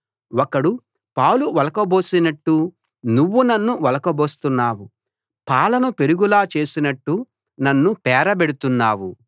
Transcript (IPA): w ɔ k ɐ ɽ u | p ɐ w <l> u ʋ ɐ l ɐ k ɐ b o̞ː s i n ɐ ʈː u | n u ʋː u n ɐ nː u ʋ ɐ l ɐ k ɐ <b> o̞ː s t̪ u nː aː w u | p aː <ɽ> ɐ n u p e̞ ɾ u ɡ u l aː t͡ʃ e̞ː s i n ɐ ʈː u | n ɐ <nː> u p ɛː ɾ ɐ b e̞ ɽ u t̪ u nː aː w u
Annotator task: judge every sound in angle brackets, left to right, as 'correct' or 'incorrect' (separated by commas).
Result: correct, correct, incorrect, correct